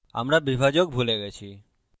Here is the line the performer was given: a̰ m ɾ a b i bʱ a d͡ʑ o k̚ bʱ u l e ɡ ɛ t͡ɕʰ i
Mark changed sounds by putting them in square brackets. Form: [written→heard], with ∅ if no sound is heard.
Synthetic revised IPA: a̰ m ɾ a b i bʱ a d͡ʑ o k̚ bʱ u l e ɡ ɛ t͡ɕʰ i